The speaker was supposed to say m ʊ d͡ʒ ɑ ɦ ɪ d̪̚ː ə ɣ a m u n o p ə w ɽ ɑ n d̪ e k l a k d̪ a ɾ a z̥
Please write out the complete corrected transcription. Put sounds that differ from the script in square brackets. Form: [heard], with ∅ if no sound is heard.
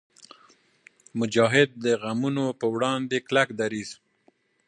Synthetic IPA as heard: m ʊ d͡ʒ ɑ ɦ ɪ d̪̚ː ə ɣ a m u n o p ə w ɽ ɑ n d̪ e k l a k d̪ a ɾ [i] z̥